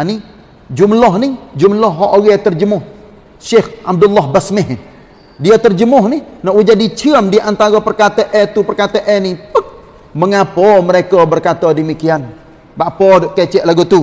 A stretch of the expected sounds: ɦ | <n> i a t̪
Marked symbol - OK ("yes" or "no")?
no